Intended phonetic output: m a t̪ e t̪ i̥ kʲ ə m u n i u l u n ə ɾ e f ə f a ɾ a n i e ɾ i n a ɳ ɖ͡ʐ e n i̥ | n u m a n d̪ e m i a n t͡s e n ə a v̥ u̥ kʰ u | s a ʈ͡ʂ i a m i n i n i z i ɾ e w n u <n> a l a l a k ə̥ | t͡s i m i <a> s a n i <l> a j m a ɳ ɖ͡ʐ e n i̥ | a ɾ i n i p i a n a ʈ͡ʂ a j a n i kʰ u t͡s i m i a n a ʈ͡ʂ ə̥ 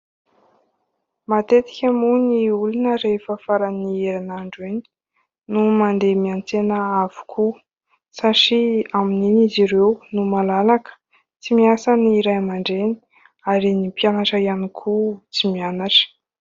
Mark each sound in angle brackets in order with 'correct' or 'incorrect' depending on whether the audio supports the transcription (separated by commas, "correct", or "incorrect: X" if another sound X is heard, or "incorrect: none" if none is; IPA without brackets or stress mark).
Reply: incorrect: m, correct, incorrect: ɾ